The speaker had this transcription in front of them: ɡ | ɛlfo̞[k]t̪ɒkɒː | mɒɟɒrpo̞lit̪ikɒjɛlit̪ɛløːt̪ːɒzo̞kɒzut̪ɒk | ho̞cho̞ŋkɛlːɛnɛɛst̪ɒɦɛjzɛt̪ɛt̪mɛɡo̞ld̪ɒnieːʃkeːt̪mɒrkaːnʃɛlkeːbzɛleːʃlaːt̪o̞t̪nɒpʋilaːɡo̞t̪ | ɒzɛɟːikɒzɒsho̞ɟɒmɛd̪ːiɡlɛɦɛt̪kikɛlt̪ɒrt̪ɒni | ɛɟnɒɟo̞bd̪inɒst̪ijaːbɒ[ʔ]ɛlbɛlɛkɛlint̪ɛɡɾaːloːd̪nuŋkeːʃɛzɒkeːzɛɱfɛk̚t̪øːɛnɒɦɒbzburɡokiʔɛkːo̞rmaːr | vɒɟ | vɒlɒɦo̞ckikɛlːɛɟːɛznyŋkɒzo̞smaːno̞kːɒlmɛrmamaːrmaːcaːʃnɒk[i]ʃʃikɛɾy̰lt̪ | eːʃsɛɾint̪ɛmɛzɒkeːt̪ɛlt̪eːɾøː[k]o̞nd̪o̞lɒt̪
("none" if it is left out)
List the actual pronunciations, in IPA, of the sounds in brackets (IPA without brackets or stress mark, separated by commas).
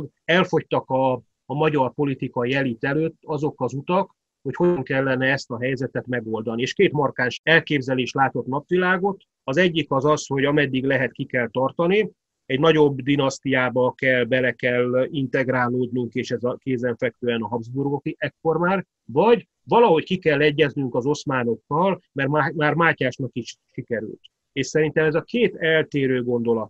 c, k, i, ɡ